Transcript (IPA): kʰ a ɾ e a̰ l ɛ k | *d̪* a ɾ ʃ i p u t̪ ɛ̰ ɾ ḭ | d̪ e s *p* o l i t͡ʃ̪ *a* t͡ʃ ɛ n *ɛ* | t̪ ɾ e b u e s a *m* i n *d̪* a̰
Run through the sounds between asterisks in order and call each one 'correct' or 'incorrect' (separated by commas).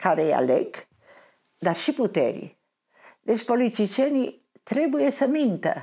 correct, correct, incorrect, incorrect, correct, incorrect